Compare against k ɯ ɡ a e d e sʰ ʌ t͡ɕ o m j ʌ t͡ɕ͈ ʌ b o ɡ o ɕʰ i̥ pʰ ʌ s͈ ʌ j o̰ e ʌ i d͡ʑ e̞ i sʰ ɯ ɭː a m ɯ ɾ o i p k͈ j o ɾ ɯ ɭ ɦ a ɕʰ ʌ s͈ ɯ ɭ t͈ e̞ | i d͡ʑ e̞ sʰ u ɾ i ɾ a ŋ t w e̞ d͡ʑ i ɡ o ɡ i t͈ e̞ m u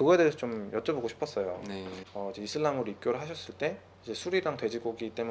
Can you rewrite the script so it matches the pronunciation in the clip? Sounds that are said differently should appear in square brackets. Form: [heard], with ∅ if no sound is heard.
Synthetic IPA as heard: k ɯ ɡ [ʌ] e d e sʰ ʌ t͡ɕ o m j ʌ t͡ɕ͈ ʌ b o ɡ o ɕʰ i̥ pʰ ʌ s͈ ʌ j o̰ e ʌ i d͡ʑ e̞ i sʰ ɯ ɭː a m ɯ ɾ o i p k͈ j o ɾ ɯ ɭ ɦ a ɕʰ ʌ s͈ ɯ ɭ t͈ e̞ | i d͡ʑ e̞ sʰ u ɾ i ɾ a ŋ t w e̞ d͡ʑ i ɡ o ɡ i t͈ e̞ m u